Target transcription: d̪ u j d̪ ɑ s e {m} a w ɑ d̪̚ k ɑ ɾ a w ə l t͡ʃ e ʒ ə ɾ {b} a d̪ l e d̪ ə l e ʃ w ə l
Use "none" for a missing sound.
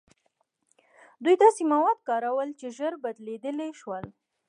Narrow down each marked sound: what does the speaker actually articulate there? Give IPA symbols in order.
m, b

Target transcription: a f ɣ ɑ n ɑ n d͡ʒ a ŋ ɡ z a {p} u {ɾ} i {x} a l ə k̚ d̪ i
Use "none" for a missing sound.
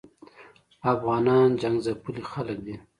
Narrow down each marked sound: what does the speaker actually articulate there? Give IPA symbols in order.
p, l, x

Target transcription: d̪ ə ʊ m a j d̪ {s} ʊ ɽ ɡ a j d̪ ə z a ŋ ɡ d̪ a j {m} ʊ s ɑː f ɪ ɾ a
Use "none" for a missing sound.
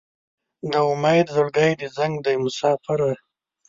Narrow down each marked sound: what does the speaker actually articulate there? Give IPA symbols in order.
z, m

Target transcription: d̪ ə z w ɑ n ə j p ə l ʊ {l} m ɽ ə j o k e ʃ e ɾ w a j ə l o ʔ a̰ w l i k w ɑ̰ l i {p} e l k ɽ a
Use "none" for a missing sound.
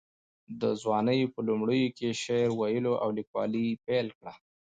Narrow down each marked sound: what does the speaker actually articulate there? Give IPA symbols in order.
none, p

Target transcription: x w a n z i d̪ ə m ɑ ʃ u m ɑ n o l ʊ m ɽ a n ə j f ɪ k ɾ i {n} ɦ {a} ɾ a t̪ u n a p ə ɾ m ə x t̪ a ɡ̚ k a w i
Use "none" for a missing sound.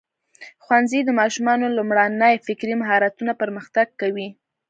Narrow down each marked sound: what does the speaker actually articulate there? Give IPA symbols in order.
m, ɑ

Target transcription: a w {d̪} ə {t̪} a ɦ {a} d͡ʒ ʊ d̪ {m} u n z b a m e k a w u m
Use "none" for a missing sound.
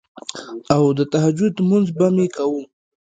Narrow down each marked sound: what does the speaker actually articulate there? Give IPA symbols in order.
d̪, t̪, a, m

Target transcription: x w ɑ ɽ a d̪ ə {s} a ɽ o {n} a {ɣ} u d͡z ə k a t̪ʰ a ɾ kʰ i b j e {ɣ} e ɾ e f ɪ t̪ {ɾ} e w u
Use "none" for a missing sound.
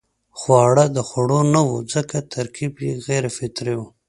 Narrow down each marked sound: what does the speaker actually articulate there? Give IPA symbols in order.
x, n, w, ɣ, ɾ

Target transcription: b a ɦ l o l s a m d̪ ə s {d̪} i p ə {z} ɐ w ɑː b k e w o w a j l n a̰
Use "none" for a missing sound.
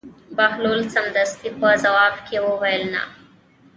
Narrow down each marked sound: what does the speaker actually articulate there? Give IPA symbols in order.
t̪, z

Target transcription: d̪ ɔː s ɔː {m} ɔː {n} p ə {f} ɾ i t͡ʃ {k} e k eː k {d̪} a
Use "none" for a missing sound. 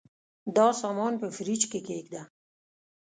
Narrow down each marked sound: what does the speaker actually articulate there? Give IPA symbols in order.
m, n, f, k, d̪

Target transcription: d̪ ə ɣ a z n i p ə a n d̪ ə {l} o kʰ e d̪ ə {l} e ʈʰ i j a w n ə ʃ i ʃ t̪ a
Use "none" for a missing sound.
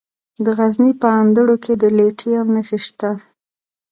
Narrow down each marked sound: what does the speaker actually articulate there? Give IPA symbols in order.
ɽ, l

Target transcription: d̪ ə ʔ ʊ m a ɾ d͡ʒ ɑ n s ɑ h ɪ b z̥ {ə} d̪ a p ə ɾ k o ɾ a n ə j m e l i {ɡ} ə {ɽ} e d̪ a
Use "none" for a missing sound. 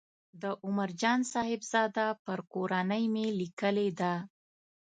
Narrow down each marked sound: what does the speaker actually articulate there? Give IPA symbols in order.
ɑ, k, l

